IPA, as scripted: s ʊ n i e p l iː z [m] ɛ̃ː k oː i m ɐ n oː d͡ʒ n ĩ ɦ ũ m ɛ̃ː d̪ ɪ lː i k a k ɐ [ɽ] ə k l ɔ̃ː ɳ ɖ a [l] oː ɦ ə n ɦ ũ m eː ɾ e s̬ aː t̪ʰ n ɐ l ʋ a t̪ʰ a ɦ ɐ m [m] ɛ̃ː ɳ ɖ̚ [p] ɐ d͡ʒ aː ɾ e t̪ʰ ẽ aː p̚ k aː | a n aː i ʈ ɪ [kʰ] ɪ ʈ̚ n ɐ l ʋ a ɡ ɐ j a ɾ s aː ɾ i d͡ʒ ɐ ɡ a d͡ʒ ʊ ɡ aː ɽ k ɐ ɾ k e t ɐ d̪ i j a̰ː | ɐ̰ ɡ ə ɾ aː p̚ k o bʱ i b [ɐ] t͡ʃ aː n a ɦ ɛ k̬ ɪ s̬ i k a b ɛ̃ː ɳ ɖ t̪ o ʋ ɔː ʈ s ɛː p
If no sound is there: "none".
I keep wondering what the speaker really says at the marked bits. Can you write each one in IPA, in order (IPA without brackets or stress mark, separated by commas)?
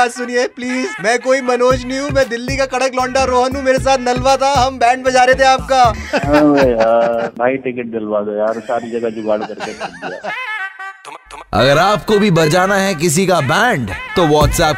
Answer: m, ɽ, ɾ, b, b, k, ɐ